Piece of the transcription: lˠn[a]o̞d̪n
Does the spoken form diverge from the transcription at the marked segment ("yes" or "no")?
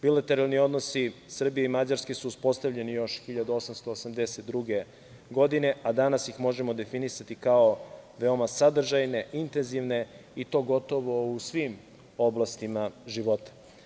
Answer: yes